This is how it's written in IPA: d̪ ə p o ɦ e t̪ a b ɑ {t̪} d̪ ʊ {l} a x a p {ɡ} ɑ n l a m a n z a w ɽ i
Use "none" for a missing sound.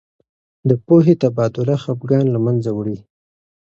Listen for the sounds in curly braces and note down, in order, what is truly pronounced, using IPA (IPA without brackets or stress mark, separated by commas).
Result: none, l, ɡ